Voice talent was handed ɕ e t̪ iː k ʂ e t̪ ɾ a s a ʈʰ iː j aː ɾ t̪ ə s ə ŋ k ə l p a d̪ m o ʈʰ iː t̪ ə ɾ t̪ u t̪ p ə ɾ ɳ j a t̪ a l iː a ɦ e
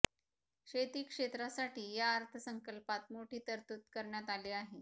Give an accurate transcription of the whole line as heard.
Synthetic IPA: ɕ e t̪ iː k ʂ e t̪ ɾ a s a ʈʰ iː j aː ɾ t̪ʰ ə s ə ŋ k ə l p a t̪ m o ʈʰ iː t̪ ə ɾ t̪ u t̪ k ə ɾ ɳ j a t̪ a l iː a ɦ e